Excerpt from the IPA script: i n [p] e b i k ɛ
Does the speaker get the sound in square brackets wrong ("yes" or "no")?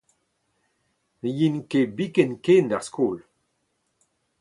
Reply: yes